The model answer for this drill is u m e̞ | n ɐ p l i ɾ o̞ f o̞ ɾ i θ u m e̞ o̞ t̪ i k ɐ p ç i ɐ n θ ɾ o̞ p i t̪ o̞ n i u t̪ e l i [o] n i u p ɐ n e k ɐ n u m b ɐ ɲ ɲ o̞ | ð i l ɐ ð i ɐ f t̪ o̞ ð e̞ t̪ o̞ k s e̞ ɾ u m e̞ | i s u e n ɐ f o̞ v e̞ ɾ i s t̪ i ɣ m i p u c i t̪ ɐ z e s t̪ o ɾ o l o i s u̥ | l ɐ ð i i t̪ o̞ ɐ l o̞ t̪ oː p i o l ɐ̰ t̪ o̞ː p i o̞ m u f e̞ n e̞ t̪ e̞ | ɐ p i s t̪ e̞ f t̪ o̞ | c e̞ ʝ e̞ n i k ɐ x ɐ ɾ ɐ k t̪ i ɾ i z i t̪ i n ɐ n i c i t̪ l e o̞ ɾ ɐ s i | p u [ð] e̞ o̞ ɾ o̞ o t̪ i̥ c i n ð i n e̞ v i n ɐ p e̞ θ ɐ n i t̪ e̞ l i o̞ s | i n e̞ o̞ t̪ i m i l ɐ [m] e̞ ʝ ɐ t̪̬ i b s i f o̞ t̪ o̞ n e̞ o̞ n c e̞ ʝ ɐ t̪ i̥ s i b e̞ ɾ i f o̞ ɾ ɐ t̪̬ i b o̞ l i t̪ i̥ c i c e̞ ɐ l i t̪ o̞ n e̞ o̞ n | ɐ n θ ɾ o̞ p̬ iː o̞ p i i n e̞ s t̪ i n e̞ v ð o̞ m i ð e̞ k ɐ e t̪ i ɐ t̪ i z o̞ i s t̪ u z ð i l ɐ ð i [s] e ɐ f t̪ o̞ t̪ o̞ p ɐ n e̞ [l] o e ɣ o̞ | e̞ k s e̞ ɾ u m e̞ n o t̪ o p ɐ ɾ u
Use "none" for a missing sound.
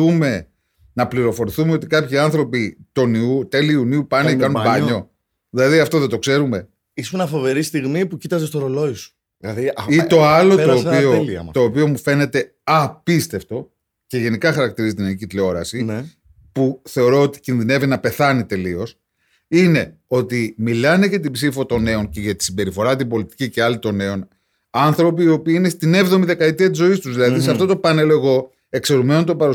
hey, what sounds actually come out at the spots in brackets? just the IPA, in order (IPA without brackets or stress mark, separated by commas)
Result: u, θ, n, s, l